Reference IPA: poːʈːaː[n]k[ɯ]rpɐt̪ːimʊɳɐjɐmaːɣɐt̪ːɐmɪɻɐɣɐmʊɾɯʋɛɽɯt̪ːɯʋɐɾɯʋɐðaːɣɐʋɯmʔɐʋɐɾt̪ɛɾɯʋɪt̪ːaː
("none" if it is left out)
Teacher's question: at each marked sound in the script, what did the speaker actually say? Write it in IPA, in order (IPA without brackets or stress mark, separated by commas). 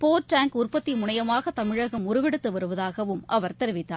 ŋ, ʊ